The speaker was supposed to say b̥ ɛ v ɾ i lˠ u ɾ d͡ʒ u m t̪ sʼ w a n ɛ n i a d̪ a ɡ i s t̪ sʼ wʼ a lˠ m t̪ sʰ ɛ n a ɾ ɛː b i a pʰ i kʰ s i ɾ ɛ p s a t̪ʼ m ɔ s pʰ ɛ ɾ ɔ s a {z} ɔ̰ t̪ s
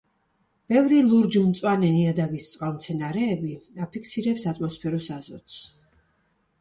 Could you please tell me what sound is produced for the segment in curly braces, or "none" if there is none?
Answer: z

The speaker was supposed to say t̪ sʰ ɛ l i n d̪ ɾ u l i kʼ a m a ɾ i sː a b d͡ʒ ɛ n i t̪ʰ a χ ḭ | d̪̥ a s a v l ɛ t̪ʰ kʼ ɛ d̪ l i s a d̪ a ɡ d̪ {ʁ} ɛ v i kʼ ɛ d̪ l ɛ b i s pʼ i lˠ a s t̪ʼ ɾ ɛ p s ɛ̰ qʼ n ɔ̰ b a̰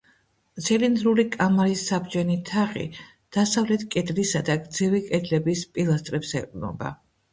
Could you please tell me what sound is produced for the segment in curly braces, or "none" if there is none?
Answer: z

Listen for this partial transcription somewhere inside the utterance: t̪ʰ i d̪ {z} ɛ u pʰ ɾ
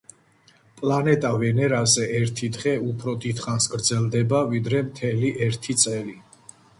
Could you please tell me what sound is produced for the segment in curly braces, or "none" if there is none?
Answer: ʁ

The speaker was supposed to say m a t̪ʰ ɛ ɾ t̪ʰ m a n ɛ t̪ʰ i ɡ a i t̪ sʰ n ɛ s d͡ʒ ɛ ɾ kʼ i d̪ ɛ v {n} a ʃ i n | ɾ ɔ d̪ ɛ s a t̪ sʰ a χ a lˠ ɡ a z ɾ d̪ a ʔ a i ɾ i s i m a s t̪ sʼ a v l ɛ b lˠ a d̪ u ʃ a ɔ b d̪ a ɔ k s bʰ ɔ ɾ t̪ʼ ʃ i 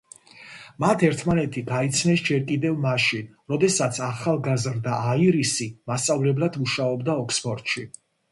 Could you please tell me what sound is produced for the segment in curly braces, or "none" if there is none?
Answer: m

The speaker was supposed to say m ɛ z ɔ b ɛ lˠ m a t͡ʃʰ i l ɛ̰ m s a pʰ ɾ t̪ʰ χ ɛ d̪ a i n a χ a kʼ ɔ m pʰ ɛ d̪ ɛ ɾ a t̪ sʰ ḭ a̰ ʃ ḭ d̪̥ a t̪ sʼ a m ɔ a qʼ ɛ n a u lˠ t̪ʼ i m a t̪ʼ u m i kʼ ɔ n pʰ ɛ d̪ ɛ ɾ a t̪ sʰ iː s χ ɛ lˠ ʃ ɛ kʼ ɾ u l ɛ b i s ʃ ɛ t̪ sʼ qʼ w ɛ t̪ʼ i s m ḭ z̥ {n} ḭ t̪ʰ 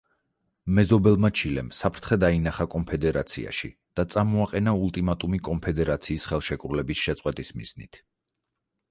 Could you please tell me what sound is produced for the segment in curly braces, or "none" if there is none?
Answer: n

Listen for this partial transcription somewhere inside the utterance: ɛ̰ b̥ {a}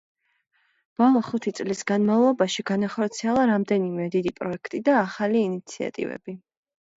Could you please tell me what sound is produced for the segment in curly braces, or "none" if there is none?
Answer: i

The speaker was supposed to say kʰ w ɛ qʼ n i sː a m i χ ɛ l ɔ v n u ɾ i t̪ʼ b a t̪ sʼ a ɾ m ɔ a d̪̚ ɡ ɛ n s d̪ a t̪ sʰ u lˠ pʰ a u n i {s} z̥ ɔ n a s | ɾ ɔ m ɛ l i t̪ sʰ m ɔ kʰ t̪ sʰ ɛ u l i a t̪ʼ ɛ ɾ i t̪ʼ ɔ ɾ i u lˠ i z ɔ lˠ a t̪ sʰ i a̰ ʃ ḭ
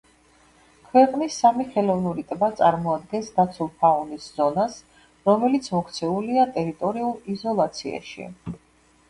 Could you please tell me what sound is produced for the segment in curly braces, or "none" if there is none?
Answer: s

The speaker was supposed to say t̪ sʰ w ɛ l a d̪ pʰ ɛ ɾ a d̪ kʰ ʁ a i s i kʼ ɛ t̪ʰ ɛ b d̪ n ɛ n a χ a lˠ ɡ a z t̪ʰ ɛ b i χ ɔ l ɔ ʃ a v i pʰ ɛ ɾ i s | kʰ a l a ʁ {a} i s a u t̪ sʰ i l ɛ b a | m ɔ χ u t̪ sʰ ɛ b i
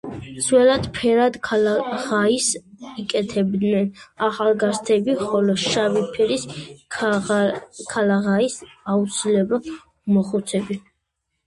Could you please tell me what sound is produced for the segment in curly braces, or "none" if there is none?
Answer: a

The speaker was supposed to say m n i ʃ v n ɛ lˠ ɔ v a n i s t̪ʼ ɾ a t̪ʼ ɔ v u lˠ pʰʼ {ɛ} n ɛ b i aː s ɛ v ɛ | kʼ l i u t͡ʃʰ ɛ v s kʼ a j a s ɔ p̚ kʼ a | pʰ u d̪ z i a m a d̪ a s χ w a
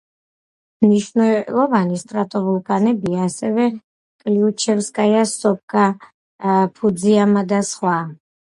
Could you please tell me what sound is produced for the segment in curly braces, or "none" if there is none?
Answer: a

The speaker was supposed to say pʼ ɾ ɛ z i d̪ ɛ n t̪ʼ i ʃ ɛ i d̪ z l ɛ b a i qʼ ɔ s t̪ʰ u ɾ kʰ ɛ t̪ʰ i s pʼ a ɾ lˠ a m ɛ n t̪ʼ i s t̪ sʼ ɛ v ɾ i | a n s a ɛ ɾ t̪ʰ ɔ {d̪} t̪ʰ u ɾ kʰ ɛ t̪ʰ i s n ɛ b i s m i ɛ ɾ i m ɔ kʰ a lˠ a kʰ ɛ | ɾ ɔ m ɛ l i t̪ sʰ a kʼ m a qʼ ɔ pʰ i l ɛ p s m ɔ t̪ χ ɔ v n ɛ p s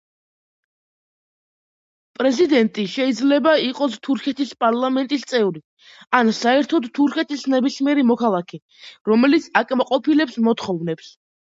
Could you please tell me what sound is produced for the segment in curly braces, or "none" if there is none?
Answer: d̪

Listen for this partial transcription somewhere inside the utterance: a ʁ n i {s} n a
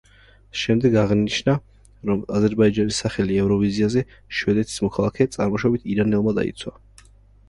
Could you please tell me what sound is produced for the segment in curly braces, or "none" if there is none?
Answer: ʃ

